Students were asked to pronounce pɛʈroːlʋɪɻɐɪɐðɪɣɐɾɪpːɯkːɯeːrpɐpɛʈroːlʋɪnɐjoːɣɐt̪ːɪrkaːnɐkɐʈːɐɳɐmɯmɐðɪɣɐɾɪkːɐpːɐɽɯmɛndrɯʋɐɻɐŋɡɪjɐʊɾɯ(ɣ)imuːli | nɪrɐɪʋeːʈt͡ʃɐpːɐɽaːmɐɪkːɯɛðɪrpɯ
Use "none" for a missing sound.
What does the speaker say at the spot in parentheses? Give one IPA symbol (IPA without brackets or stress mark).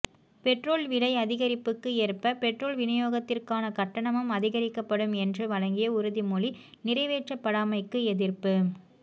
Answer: ð